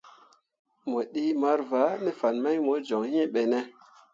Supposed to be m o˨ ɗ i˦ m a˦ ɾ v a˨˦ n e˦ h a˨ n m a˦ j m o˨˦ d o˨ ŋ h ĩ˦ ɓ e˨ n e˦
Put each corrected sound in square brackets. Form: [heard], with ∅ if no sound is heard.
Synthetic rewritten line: m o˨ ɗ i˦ m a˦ ɾ v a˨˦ n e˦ [f] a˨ n m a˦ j m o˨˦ [d͡ʒ] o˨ ŋ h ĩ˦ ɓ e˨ n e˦